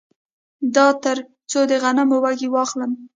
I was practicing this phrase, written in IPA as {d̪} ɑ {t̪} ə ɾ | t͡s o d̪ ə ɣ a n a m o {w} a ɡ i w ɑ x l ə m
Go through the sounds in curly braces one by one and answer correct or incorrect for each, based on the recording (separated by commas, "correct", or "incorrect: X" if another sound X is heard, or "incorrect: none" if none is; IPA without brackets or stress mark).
correct, correct, correct